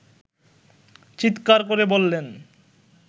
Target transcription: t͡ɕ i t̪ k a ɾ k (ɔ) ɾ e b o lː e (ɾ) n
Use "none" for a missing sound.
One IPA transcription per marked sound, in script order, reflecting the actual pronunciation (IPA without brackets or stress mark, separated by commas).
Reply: o, none